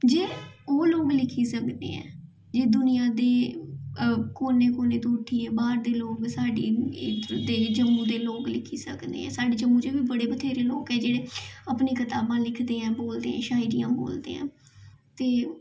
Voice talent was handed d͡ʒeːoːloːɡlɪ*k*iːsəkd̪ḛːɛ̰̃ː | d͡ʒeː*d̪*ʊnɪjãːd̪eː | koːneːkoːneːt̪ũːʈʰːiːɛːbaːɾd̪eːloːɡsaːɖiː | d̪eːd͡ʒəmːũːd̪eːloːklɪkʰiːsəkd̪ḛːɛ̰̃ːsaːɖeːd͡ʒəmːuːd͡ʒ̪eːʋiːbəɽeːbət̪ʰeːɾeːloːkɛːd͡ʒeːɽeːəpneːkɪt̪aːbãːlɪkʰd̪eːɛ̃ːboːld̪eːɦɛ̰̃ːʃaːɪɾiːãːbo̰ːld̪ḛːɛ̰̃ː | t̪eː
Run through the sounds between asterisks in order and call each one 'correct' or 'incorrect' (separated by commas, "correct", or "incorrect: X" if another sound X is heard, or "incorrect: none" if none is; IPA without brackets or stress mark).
incorrect: kʰ, correct